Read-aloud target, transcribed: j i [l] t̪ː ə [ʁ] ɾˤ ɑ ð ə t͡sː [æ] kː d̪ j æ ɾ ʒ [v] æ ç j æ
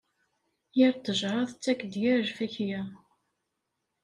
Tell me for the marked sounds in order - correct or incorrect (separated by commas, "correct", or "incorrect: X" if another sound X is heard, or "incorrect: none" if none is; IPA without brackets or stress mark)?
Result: incorrect: ɾ, incorrect: ʒ, correct, incorrect: f